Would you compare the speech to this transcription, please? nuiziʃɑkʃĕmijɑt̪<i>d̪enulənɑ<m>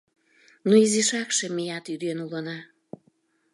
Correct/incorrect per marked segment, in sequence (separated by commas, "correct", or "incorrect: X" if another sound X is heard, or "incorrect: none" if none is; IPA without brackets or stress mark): incorrect: y, incorrect: none